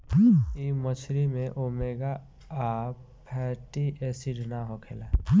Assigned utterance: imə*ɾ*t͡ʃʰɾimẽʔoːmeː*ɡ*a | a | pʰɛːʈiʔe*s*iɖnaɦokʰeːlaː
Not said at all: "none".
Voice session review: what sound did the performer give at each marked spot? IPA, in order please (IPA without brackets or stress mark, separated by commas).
none, ɡ, s